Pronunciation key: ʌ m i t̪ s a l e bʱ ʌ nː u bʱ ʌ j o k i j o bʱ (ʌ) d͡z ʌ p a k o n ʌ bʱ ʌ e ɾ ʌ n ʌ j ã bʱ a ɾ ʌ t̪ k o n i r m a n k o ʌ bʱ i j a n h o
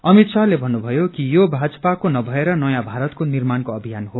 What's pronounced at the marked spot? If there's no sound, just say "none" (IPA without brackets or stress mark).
a